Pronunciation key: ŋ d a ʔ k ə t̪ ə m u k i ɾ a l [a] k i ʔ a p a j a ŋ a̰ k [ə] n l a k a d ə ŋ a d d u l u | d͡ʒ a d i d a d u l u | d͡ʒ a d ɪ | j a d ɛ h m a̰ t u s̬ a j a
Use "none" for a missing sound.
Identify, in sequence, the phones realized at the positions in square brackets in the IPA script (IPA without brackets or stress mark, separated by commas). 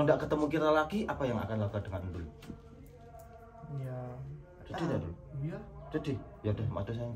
a, a